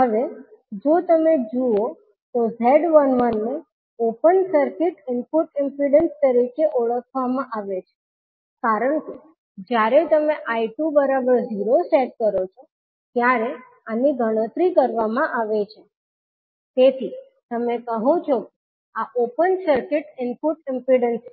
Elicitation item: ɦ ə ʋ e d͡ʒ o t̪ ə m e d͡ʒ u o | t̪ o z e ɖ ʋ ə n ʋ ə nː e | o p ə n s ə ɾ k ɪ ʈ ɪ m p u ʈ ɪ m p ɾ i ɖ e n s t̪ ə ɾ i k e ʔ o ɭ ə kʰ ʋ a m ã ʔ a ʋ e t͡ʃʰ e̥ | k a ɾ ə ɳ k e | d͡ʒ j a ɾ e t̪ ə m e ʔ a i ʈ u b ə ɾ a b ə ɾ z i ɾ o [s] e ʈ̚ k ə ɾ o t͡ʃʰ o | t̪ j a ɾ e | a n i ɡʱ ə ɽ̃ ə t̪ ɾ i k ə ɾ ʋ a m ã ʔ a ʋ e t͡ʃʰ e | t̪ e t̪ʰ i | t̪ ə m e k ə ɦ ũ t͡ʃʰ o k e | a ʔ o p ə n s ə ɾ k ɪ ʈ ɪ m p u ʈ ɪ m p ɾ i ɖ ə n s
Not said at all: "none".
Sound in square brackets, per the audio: s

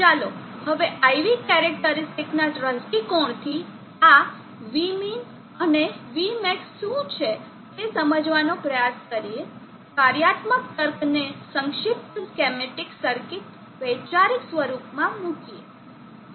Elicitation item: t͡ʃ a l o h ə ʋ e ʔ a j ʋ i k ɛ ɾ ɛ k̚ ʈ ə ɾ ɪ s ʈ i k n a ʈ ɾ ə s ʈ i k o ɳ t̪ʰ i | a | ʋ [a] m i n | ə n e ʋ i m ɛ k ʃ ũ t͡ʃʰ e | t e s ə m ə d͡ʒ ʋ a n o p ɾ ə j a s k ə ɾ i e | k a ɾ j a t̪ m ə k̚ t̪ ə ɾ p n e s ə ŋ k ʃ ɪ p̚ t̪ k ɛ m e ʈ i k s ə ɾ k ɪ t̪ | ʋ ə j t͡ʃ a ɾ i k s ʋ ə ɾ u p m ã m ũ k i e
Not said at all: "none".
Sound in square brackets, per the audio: i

